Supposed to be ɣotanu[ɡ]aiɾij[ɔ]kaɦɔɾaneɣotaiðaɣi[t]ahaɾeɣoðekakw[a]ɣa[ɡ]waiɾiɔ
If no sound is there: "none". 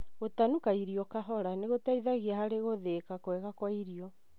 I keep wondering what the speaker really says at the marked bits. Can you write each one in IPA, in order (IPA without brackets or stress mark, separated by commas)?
k, ɔ, none, ɛ, k